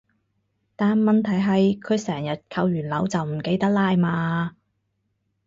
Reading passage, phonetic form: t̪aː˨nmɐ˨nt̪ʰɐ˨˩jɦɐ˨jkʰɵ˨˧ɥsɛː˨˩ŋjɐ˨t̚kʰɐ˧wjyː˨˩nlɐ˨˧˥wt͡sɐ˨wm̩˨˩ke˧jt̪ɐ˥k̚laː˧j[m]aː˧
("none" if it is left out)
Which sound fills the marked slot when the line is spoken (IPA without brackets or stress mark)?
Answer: m